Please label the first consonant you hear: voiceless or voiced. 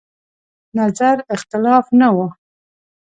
voiced